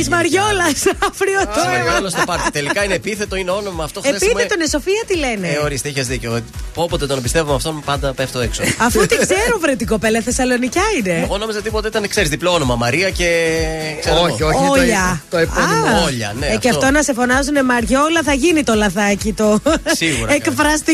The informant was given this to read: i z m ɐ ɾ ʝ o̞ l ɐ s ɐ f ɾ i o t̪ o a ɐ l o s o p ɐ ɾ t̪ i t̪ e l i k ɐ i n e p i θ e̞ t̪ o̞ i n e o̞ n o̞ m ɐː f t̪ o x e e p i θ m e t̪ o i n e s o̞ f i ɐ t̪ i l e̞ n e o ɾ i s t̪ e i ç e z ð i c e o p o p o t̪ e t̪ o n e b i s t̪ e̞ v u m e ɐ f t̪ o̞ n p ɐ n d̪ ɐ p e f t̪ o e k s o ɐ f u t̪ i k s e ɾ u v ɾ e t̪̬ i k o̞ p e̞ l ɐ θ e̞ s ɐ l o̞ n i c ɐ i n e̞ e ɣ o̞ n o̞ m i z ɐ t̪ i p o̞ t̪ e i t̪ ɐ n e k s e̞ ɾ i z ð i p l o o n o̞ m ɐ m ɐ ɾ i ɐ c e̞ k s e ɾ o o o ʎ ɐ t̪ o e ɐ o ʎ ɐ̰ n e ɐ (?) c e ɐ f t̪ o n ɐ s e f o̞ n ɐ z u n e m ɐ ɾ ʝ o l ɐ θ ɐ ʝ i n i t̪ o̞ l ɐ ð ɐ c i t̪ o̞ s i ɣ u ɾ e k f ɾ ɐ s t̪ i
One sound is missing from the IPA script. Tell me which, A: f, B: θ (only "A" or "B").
A